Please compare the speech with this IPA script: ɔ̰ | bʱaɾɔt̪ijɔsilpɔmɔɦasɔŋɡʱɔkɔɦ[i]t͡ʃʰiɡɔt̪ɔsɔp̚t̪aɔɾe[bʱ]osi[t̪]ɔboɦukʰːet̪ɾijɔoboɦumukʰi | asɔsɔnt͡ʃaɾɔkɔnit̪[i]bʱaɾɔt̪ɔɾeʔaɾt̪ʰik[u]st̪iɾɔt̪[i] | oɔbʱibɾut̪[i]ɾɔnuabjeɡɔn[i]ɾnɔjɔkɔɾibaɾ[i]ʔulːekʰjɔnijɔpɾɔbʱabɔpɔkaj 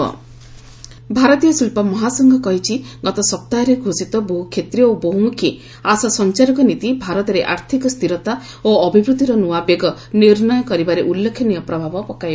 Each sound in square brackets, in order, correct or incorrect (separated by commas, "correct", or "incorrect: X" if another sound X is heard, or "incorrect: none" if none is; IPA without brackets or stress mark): correct, incorrect: ɡʱ, correct, correct, incorrect: ɔ, incorrect: a, correct, correct, incorrect: e